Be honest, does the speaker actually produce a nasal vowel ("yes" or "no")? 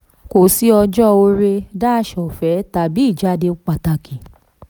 no